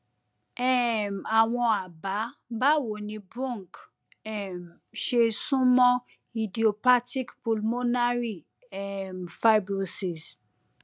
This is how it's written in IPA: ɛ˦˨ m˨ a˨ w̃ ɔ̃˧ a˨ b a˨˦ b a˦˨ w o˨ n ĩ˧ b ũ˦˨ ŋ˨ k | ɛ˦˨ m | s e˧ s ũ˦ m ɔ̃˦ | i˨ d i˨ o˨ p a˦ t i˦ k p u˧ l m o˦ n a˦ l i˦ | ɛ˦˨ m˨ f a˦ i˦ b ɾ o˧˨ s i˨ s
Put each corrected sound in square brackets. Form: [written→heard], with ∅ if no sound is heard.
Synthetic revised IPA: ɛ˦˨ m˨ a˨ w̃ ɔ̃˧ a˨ b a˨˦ b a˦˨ w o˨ n ĩ˧ b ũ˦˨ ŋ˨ k | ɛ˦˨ m | [s→ʃ] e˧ s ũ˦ m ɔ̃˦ | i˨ d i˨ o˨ p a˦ t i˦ k p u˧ l m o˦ n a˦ [l→ɾ] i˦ | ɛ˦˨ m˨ f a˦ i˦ b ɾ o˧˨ s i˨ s